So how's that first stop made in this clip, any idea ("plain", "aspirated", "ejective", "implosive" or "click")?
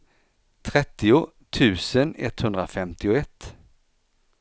aspirated